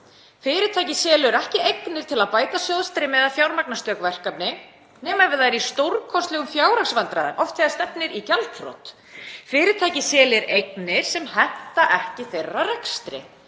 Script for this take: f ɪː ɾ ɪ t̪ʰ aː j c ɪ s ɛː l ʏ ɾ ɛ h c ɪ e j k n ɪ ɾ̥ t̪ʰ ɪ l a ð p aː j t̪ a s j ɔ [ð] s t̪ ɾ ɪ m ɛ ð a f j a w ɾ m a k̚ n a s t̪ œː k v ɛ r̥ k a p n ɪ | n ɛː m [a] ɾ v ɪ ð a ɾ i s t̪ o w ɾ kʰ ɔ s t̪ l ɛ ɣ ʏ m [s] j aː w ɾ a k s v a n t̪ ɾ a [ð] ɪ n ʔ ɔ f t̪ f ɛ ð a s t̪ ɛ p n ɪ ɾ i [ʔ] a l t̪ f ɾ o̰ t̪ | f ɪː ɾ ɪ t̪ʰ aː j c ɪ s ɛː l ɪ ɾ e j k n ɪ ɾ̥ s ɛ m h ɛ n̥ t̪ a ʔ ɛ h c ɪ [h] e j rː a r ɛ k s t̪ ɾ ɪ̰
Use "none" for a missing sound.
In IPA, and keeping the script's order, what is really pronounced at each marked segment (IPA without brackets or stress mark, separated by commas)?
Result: ð, a, f, ð, c, θ